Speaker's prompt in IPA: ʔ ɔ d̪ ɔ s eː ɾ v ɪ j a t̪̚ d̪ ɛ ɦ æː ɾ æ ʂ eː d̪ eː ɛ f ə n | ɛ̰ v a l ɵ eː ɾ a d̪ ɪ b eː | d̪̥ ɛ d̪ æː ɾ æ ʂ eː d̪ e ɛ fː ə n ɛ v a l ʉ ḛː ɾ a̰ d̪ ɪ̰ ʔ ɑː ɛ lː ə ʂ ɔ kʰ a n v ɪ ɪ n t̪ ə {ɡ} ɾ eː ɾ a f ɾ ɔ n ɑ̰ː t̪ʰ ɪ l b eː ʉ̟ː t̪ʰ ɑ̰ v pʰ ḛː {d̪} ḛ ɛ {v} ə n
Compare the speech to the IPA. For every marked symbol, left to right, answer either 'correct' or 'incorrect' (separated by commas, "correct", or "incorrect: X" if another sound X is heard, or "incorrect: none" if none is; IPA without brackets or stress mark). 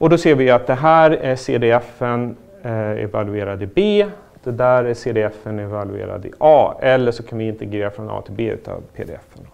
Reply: correct, correct, incorrect: f